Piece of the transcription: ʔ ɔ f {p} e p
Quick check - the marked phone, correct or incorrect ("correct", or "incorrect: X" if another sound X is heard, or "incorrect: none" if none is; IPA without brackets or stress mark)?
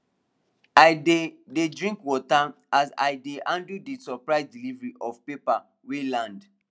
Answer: correct